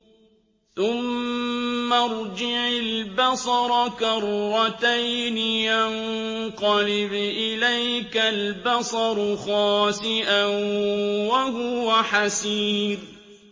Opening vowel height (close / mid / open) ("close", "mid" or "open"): close